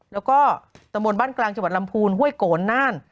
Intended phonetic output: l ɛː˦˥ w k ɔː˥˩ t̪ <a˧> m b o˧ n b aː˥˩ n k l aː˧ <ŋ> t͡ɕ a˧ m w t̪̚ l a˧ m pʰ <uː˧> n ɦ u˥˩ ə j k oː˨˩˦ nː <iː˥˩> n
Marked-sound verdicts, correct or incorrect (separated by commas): correct, correct, correct, incorrect